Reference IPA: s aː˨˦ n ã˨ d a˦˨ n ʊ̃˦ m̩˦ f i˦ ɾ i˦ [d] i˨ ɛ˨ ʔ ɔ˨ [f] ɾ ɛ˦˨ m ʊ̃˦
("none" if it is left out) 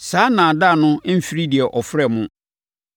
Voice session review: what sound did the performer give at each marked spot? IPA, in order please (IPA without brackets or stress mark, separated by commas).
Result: d, f